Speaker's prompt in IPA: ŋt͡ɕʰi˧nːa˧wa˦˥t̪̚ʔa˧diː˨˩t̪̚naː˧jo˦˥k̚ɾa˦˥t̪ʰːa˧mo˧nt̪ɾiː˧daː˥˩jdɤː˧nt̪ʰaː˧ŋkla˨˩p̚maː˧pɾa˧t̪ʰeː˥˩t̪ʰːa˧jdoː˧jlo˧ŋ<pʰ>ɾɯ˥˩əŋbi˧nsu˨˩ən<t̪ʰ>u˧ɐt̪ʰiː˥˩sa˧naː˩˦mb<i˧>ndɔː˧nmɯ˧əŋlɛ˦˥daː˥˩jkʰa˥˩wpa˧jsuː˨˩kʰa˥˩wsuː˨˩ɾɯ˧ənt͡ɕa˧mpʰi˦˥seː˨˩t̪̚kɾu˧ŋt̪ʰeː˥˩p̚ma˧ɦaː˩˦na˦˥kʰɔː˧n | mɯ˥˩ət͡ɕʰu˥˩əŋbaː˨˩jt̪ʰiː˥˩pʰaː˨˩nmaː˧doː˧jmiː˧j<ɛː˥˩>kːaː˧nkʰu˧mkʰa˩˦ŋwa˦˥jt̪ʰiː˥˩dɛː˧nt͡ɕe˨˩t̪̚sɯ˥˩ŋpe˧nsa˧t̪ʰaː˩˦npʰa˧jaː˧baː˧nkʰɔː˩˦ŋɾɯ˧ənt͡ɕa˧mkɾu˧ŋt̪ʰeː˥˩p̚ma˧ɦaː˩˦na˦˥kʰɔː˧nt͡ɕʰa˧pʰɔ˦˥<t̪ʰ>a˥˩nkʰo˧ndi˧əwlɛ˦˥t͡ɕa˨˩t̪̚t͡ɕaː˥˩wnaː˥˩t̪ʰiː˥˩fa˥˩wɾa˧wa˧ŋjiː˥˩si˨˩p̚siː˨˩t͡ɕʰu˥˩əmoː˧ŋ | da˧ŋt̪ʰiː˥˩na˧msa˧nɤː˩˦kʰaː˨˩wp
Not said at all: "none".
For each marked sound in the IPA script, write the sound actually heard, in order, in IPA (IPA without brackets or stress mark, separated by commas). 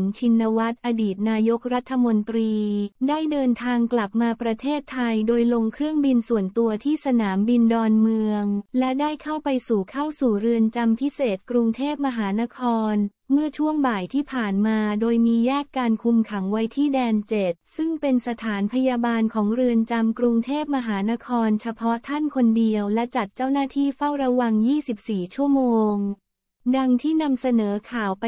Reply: kʰ, t̪, i˧, ɛː˥˩, t̪ʰ